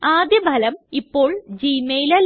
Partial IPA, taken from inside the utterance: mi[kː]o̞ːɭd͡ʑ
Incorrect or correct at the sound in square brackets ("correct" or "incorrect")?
incorrect